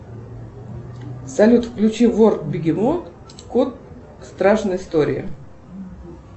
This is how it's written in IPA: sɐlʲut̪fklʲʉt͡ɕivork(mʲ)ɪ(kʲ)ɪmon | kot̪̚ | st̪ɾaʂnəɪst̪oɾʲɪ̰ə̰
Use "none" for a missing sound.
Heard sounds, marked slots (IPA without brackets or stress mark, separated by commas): bʲ, ɡʲ